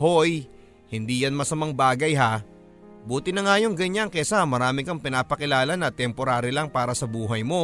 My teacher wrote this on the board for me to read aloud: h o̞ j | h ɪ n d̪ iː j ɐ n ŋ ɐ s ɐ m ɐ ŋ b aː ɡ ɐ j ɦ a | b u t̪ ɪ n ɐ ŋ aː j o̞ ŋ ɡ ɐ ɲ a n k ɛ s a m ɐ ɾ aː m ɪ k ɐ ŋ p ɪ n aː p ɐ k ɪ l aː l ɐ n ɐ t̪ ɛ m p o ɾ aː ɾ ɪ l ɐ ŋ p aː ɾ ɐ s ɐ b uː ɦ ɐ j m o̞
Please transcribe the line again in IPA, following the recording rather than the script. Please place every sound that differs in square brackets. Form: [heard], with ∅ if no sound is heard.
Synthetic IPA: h o̞ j | h ɪ n d̪ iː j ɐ n [m] ɐ s ɐ m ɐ ŋ b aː ɡ ɐ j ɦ a | b [uː] t̪ ɪ n ɐ ŋ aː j o̞ ŋ ɡ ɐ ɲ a [ŋ] k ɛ s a m ɐ ɾ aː m ɪ k ɐ ŋ p ɪ n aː p ɐ k ɪ l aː l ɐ n ɐ t̪ ɛ m p o ɾ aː ɾ ɪ l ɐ ŋ p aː ɾ ɐ s ɐ b uː ɦ ɐ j m o̞